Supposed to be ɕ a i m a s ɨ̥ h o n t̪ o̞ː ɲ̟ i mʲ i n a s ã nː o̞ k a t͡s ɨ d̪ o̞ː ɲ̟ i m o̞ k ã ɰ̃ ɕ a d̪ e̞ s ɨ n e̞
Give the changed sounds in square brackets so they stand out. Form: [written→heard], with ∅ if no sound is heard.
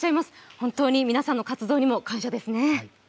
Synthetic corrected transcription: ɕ a i m a s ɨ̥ h [o→õ] n t̪ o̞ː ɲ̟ i mʲ i n a s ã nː o̞ k a t͡s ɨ d̪ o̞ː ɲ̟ i m o̞ k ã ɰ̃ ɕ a d̪ e̞ s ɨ n e̞